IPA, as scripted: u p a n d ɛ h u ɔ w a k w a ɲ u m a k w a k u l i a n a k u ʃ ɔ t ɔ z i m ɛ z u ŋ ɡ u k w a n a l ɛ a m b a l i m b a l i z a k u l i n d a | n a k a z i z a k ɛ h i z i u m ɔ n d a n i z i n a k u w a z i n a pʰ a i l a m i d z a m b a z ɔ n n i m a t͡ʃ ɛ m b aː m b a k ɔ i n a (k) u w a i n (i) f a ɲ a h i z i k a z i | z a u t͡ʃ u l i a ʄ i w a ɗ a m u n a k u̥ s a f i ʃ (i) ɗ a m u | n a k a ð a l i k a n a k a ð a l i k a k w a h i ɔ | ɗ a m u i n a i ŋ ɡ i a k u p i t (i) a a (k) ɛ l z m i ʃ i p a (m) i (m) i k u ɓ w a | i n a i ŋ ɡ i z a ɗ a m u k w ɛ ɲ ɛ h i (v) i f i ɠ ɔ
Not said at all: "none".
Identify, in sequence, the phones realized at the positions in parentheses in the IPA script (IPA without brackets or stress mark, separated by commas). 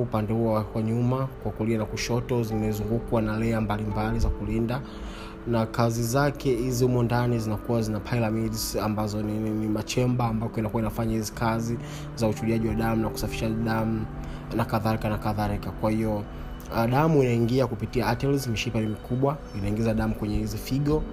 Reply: k, a, a, i, t, n, m, z